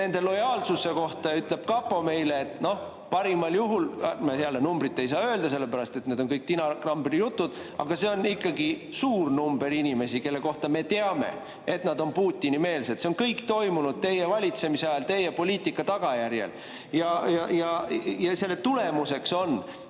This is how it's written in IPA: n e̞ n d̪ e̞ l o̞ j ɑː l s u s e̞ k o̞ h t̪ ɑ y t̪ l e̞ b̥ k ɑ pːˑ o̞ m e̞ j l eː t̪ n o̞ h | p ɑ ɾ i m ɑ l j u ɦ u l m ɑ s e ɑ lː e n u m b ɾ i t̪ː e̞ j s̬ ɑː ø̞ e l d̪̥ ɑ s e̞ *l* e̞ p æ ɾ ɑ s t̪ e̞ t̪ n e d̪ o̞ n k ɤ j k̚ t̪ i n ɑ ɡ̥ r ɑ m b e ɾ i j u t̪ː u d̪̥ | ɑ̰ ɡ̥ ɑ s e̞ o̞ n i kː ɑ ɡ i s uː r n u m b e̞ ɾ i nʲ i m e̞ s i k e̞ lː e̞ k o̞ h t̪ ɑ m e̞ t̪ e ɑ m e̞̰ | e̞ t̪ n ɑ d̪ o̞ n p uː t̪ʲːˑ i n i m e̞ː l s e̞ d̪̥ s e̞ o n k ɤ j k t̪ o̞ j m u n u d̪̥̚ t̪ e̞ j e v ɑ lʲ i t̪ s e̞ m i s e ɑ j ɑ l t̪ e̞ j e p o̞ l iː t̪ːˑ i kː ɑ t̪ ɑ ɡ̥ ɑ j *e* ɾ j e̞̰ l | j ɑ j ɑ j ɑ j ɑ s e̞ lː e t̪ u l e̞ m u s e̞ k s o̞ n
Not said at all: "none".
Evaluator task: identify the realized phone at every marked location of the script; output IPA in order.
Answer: lː, æ

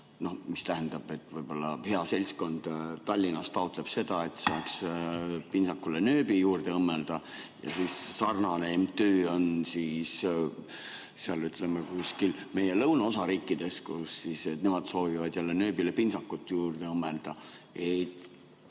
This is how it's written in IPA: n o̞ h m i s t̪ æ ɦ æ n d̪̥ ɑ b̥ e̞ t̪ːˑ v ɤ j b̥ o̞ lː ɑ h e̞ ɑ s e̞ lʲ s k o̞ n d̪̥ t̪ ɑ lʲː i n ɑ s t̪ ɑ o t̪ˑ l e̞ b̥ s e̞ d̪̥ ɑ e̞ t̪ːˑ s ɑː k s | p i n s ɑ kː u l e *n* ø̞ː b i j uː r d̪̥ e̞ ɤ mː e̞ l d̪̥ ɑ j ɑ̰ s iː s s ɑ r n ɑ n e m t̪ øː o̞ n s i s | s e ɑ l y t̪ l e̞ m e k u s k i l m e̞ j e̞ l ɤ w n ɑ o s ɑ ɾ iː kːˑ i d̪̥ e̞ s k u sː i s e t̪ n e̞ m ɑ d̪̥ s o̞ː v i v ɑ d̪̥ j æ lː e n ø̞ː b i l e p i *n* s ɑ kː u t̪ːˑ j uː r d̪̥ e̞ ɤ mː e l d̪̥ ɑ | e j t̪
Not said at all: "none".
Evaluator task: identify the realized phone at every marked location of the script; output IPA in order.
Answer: n, n

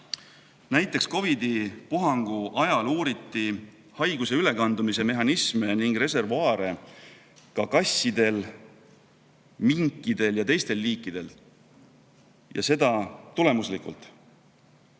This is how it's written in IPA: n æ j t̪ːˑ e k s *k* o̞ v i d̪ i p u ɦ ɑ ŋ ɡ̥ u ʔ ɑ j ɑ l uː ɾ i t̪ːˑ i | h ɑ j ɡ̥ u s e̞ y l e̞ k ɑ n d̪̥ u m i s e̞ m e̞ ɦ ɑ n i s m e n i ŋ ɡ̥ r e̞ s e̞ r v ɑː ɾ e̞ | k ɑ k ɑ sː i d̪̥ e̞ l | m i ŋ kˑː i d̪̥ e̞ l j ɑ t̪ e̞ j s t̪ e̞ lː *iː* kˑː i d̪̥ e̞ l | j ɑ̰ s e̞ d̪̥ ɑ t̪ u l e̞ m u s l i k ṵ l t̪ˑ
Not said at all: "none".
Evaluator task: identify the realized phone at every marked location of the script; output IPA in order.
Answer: k, iː

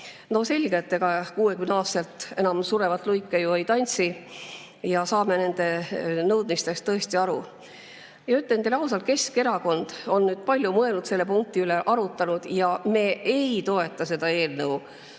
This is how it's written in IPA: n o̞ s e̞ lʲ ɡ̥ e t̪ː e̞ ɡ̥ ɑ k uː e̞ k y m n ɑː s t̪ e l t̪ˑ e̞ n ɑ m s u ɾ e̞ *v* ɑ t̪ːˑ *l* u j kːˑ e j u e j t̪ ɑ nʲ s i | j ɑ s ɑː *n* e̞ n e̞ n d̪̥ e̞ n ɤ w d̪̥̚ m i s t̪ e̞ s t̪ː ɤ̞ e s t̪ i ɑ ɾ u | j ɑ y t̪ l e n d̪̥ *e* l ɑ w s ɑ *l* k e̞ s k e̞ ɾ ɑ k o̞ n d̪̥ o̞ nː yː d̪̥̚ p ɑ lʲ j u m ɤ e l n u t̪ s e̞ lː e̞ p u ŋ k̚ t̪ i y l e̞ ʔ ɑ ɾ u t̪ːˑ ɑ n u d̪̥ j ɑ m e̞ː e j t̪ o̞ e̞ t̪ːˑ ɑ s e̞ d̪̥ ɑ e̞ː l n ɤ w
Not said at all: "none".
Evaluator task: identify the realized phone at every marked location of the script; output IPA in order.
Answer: v, l, m, e, l

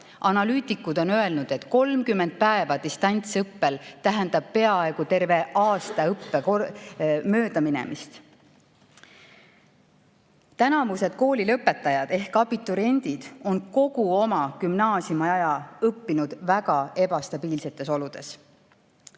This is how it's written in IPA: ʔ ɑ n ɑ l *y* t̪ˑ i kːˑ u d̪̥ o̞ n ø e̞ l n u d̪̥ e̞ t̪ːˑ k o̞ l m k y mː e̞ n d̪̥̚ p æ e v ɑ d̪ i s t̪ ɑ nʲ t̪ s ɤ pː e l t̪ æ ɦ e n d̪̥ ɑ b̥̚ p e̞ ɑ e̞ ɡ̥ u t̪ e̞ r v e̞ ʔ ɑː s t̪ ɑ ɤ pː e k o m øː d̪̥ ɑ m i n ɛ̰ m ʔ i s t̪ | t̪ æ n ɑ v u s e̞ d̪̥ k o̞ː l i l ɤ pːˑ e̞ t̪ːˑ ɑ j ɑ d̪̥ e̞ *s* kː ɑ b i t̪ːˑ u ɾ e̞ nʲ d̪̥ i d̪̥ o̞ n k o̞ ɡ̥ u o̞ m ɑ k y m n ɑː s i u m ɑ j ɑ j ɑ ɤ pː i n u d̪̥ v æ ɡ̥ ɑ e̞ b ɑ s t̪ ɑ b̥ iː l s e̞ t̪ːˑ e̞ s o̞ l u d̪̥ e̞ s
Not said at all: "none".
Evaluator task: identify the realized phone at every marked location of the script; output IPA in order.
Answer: yː, h

